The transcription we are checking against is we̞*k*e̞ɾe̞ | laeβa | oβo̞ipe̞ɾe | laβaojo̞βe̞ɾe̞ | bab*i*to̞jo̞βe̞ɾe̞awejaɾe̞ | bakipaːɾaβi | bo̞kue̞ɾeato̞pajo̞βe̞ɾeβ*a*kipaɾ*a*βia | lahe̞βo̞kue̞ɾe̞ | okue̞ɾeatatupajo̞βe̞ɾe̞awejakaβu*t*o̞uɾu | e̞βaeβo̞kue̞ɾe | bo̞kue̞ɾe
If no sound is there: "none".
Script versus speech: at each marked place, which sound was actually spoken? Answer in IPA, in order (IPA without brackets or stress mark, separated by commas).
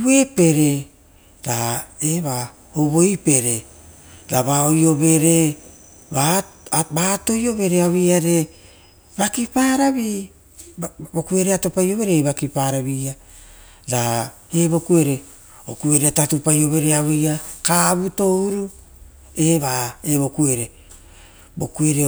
p, a, a, a, t